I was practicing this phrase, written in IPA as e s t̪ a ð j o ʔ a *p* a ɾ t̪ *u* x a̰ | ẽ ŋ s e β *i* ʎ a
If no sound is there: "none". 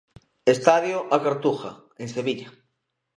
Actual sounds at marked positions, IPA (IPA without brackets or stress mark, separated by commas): k, u, i